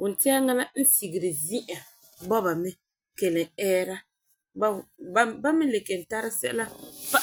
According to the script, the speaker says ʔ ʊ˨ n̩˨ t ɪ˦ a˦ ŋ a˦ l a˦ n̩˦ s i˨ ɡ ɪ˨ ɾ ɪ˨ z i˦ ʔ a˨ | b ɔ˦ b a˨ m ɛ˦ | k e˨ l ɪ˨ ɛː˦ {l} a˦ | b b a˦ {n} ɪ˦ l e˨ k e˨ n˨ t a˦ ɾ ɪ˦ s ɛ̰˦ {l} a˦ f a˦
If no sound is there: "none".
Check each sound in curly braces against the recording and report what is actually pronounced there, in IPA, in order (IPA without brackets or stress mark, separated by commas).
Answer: ɾ, m, l